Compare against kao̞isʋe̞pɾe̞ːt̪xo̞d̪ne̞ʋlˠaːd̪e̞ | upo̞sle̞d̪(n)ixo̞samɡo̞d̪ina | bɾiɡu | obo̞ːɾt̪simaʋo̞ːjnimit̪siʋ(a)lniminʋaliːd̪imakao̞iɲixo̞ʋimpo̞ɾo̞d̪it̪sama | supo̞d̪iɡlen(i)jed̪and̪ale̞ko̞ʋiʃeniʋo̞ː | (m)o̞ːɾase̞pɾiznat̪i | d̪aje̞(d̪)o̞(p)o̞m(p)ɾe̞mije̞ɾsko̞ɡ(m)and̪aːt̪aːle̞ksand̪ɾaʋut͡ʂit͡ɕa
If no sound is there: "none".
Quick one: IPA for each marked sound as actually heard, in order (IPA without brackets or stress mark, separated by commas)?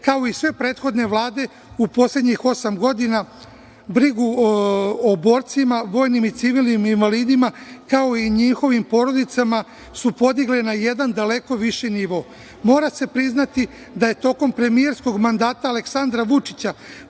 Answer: ɲ, i, a, m, t̪, k, p, m